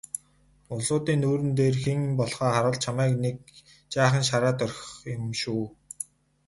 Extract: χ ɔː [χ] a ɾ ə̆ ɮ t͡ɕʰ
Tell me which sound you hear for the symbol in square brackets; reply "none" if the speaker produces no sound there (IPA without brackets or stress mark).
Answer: χ